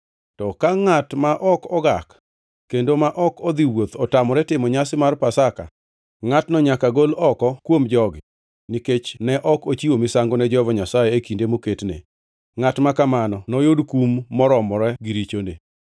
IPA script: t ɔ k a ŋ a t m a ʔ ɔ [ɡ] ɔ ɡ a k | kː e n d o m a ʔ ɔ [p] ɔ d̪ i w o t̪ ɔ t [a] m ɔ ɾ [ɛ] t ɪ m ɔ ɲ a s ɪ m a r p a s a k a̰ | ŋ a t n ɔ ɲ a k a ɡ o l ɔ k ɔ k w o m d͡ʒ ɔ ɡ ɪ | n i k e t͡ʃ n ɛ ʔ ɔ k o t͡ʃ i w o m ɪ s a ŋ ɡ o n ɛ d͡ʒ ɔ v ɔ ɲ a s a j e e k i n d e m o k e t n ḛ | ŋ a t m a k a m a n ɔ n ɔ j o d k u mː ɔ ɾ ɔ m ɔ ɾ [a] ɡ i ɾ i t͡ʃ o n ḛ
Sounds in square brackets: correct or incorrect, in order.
incorrect: k, incorrect: k, correct, correct, incorrect: ɛ

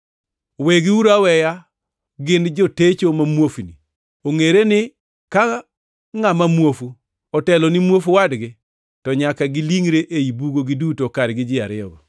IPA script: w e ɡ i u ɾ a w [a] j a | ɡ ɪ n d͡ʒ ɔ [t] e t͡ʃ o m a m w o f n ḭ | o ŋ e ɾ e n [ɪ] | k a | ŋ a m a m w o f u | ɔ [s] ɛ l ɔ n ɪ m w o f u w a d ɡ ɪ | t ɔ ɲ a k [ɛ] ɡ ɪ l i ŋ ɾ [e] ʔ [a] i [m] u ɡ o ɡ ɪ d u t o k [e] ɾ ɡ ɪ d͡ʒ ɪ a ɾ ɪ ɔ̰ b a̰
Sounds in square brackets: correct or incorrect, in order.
incorrect: ɛ, correct, correct, incorrect: t, incorrect: a, correct, incorrect: e, incorrect: b, incorrect: a

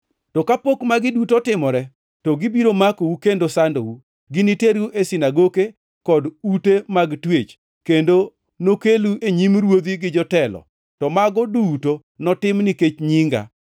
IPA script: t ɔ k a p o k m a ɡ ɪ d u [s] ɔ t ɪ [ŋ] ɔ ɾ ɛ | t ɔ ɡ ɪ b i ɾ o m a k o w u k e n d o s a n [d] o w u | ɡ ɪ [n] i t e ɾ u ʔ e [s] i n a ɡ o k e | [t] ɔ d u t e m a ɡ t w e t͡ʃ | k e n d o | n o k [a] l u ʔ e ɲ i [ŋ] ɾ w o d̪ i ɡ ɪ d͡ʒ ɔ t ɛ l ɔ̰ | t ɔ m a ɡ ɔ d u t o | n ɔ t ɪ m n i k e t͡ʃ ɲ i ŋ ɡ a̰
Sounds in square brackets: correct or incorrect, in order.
incorrect: t, incorrect: m, correct, correct, correct, incorrect: k, incorrect: e, incorrect: m

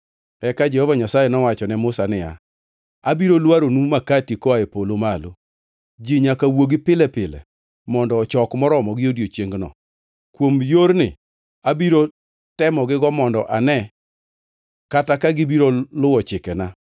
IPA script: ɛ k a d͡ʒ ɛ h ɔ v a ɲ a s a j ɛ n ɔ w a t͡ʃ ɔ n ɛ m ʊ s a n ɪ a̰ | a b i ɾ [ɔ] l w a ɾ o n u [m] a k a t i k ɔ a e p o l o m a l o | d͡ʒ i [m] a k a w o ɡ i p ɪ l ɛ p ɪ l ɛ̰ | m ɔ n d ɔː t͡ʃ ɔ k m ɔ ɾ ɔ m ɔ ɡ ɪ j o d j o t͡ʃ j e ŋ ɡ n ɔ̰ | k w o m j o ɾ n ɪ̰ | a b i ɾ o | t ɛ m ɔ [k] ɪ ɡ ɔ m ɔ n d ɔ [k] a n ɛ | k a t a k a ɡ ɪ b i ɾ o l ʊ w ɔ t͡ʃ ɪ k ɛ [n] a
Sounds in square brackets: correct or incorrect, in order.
incorrect: o, correct, incorrect: ɲ, incorrect: ɡ, incorrect: ʔ, correct

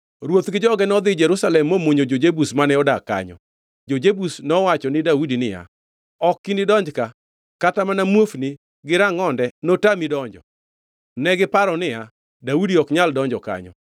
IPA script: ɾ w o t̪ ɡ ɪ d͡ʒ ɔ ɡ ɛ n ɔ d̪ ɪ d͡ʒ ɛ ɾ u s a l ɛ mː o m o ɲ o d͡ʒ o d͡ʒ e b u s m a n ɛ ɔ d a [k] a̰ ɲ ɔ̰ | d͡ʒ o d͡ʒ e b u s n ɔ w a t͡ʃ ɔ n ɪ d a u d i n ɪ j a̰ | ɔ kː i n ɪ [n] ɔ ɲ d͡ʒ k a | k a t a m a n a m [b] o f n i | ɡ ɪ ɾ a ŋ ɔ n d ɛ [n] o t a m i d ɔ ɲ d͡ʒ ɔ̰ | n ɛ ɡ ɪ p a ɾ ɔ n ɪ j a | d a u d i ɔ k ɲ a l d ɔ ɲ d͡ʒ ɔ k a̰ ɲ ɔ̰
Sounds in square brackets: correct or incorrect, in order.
correct, incorrect: d, incorrect: w, correct

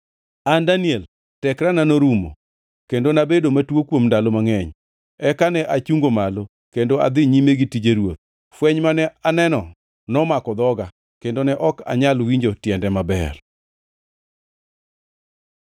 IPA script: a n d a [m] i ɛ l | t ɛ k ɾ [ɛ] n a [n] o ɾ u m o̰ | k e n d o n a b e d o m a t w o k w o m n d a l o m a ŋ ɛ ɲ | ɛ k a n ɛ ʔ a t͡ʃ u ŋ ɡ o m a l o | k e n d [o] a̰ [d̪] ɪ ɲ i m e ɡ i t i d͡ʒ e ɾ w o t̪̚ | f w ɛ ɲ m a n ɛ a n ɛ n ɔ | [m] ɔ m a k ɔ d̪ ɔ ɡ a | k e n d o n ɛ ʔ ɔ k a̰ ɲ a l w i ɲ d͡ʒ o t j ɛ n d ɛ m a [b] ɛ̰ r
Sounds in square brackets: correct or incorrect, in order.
incorrect: n, incorrect: a, correct, correct, correct, incorrect: n, correct

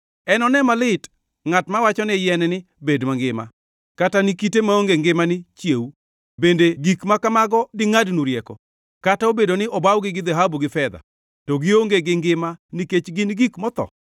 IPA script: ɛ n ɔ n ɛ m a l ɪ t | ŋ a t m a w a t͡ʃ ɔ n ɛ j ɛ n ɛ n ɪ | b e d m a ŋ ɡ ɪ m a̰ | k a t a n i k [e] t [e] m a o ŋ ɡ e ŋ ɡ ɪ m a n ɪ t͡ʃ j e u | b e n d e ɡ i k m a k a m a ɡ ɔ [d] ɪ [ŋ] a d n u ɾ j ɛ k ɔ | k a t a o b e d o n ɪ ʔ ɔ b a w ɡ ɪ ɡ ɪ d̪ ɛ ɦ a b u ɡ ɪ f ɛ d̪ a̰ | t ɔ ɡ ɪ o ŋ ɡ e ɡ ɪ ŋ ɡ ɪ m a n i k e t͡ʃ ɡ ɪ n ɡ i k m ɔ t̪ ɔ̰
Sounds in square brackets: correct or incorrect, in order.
incorrect: i, correct, correct, correct

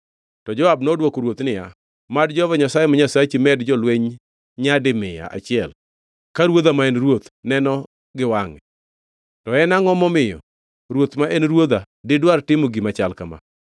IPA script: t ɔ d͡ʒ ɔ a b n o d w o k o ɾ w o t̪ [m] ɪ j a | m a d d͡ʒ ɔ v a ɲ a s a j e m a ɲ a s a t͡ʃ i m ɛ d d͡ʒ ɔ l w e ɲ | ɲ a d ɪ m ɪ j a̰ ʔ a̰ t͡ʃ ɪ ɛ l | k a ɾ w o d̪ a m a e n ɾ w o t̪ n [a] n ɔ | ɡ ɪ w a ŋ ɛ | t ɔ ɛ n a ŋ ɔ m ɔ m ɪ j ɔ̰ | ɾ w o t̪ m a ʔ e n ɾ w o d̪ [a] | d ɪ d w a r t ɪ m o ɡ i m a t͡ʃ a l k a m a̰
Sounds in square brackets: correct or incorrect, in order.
incorrect: n, incorrect: ɛ, correct

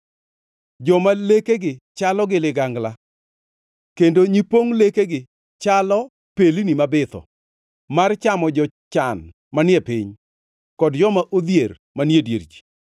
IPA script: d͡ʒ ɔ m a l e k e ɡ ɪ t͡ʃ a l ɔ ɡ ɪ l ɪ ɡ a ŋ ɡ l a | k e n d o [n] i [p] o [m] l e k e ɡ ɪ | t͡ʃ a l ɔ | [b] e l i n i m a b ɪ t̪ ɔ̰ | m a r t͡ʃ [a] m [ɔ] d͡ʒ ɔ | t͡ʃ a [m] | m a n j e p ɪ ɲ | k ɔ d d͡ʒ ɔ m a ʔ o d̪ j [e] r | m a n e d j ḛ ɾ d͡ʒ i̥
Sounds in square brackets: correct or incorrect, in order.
incorrect: ɲ, correct, incorrect: ŋ, incorrect: p, correct, correct, incorrect: n, correct

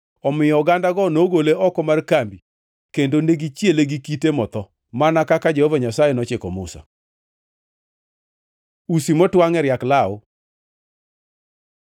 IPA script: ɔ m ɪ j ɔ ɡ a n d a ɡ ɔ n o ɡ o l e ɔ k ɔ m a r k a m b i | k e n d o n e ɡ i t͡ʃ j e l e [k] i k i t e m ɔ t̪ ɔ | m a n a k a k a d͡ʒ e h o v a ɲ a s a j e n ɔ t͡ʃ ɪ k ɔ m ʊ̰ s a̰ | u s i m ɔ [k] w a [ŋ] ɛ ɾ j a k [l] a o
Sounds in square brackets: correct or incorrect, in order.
incorrect: ɡ, incorrect: t, correct, correct

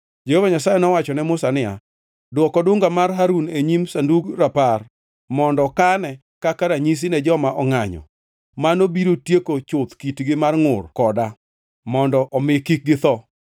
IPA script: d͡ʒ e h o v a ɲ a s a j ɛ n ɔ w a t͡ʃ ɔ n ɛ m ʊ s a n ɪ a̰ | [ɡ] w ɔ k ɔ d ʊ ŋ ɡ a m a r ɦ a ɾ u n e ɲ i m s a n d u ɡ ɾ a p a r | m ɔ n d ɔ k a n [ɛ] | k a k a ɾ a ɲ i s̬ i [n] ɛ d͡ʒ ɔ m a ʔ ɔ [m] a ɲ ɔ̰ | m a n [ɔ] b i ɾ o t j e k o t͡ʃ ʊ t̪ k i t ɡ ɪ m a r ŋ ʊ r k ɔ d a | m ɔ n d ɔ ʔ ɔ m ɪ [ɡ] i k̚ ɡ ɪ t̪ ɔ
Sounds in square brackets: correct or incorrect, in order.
incorrect: d, correct, correct, incorrect: ŋ, incorrect: o, incorrect: k

